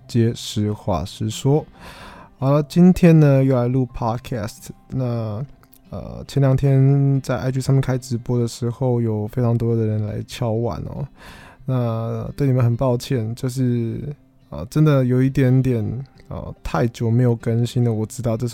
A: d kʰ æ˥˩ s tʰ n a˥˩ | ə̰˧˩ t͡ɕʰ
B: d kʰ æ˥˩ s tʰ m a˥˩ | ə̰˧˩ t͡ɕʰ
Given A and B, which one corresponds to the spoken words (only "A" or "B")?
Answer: A